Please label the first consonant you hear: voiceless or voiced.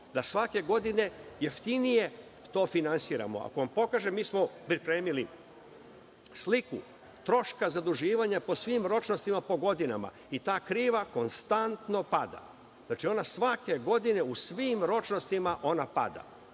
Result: voiced